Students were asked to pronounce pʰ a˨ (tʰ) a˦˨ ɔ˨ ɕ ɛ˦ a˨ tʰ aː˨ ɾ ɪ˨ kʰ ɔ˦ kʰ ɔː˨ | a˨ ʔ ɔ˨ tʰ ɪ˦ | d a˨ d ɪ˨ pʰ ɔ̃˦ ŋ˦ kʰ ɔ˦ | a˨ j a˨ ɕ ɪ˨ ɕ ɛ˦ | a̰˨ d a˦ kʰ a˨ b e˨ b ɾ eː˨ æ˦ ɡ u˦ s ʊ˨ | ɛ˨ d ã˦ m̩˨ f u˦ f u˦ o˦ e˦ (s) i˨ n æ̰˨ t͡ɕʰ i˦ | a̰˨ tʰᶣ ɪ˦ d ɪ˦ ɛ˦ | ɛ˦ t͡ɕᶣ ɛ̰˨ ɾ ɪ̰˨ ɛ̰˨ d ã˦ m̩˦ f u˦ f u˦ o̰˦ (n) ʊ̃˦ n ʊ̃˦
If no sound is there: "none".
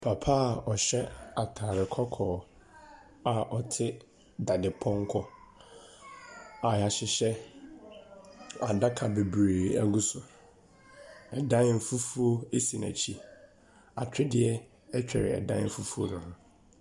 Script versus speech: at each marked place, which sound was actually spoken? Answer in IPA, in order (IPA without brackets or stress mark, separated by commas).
pʰ, s, n